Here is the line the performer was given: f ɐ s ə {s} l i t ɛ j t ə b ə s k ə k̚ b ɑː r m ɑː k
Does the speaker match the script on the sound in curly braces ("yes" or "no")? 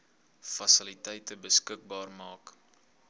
no